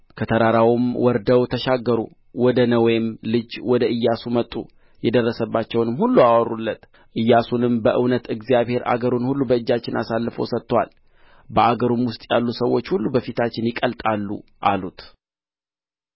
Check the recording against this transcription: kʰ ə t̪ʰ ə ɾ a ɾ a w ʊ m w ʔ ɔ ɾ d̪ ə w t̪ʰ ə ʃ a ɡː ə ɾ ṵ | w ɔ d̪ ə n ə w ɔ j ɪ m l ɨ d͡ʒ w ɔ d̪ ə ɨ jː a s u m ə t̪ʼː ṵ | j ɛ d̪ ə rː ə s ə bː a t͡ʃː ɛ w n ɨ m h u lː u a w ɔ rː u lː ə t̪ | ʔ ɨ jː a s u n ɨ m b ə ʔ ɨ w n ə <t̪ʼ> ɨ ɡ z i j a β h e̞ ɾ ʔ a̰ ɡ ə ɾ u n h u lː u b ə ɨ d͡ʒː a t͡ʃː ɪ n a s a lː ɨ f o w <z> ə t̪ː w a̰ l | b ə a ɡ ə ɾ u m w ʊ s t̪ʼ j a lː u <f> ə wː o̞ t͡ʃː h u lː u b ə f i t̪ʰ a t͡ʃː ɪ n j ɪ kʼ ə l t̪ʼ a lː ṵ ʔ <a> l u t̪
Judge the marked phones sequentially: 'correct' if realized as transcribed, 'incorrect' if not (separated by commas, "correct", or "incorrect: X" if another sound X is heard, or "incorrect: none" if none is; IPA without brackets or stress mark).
incorrect: t̪, incorrect: s, incorrect: s, correct